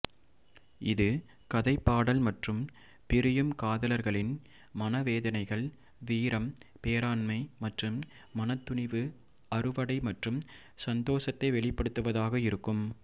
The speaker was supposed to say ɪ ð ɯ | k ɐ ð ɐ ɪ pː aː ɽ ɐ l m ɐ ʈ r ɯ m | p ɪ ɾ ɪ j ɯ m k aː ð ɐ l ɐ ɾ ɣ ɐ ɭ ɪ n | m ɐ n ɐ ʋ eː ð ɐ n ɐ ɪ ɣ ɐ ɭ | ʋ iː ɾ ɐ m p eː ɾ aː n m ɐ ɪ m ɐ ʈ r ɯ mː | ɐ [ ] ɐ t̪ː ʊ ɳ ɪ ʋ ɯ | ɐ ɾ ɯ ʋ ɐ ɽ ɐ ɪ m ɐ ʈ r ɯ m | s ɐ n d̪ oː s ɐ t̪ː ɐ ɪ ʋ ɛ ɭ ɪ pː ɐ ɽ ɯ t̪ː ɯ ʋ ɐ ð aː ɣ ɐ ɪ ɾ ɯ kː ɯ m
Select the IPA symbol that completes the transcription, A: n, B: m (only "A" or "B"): A